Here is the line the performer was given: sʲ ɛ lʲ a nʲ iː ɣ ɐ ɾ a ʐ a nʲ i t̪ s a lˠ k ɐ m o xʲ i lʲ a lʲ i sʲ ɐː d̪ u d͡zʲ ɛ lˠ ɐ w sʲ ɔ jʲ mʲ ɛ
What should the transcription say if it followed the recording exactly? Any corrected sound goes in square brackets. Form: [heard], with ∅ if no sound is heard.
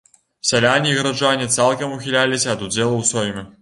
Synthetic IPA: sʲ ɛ lʲ a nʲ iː ɣ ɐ ɾ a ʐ a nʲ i t̪ s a lˠ k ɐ m [u] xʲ i lʲ a lʲ i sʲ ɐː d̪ u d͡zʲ ɛ lˠ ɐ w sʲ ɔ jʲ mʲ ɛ